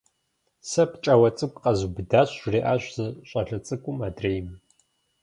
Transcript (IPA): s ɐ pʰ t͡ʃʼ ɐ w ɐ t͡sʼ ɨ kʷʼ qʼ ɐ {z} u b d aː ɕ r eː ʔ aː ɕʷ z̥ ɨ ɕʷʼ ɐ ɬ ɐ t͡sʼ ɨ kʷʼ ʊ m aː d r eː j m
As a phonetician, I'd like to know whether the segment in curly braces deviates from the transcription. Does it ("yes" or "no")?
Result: no